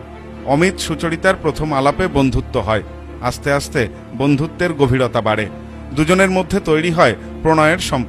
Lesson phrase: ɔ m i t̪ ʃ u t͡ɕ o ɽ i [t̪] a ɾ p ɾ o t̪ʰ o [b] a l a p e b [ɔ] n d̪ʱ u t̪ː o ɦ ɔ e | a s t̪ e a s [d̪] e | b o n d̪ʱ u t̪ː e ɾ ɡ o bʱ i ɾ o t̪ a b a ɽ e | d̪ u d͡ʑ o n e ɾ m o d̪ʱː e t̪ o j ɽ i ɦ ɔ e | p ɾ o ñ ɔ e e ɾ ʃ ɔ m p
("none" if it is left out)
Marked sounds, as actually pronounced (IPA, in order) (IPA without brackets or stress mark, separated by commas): t̪, m, o, t̪